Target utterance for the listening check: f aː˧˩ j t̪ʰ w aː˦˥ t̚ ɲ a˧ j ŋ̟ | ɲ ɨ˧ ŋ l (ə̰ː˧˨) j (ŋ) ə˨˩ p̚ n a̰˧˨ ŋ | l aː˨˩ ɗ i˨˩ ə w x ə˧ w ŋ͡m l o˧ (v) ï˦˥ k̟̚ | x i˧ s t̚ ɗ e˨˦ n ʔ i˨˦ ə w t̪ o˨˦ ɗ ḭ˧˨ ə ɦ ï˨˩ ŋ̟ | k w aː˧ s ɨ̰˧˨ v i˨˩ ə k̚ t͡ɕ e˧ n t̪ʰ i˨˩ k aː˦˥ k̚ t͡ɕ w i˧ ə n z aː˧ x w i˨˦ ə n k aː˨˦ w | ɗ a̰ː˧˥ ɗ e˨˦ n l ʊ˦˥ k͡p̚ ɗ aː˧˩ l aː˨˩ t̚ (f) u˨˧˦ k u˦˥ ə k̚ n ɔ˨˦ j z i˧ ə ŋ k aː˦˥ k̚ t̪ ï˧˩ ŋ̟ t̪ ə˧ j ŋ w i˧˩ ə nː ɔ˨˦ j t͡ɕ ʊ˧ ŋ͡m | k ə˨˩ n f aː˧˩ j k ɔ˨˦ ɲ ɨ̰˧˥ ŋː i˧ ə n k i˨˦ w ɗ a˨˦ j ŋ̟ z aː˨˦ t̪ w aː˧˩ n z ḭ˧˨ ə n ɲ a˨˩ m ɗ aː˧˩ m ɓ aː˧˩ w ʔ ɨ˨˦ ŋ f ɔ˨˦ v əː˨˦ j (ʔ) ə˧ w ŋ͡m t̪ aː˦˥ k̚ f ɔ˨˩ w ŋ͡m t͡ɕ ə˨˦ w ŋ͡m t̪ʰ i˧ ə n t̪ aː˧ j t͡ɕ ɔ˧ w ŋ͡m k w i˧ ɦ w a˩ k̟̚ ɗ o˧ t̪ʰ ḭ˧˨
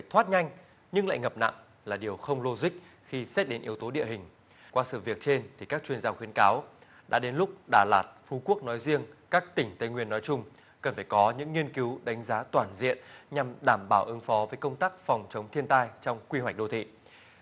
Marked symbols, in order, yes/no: no, yes, no, yes, no

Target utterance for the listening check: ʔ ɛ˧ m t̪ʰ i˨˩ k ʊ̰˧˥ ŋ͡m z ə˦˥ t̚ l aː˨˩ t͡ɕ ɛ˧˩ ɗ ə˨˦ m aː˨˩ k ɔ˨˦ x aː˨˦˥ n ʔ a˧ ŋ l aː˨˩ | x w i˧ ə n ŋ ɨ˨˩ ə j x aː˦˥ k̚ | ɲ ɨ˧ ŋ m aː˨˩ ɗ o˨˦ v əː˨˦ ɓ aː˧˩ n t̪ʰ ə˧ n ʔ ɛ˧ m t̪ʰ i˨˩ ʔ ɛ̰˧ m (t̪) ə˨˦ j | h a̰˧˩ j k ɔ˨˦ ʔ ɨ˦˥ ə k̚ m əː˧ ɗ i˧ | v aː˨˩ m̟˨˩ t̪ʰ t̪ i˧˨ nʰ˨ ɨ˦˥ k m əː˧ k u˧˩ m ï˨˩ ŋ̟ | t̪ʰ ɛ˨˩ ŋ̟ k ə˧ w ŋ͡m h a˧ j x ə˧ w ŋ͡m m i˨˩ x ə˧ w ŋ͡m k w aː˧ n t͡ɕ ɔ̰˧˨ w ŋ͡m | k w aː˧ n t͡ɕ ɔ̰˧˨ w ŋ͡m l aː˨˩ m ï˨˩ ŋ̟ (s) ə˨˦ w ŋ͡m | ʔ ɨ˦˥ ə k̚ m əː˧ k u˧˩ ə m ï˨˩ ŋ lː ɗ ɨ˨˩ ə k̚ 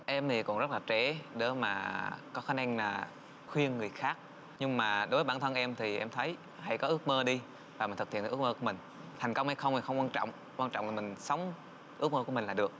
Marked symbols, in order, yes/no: no, yes

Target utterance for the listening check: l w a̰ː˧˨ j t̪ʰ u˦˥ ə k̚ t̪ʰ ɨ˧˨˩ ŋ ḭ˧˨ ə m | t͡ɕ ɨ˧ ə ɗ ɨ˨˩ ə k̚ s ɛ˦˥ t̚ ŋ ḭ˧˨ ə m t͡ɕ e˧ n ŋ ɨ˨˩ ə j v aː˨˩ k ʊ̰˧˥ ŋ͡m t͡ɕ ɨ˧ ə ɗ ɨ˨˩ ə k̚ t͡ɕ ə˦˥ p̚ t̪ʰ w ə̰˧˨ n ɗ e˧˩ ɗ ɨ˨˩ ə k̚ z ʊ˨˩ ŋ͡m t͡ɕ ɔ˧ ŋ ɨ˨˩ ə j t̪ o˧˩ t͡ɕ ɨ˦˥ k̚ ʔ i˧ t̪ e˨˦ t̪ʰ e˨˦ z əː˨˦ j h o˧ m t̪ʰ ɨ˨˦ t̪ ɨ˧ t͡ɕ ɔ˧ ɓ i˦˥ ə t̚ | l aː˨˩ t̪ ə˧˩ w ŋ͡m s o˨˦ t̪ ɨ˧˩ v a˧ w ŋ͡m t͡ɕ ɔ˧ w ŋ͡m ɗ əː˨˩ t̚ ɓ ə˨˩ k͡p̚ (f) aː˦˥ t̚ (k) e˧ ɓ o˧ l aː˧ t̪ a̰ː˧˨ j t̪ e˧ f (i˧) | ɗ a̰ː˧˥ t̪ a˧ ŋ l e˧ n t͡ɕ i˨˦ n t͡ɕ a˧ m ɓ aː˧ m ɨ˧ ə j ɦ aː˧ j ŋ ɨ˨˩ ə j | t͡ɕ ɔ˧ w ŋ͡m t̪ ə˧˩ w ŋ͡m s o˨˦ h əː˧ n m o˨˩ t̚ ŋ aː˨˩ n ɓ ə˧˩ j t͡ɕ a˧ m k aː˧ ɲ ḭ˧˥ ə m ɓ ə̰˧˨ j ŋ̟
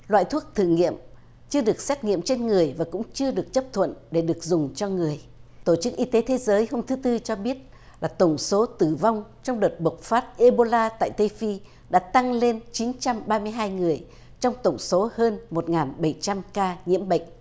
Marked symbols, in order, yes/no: yes, no, yes

